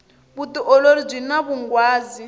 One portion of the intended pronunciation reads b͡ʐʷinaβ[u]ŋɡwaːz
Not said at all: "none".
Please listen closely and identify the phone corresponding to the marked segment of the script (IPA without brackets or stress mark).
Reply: u